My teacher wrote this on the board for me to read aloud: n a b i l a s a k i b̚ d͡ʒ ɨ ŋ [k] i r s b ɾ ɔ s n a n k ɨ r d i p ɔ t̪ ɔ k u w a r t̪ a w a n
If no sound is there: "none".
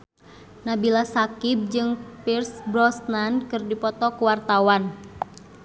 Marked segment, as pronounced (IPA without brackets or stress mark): p